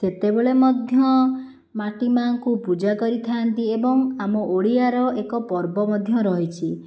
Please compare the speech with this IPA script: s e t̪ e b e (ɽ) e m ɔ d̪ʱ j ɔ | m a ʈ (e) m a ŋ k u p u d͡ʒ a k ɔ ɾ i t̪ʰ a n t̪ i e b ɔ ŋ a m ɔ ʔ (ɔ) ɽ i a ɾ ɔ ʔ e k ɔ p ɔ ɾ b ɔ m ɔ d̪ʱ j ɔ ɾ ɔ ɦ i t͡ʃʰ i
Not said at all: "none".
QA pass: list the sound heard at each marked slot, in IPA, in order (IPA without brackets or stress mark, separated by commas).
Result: ɭ, i, o